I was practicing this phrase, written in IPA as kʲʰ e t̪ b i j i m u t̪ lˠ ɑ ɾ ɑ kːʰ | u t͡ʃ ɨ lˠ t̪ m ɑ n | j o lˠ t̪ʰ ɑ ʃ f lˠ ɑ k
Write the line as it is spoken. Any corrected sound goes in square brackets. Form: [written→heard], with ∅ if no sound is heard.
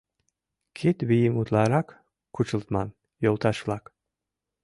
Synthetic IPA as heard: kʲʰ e t̪ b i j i m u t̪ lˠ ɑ ɾ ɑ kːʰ | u t͡ʃ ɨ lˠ t̪ m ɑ n | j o lˠ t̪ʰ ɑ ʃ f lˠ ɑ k